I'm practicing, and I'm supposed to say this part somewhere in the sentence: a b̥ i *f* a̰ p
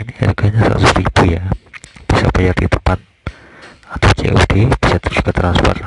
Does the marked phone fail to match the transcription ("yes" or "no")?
yes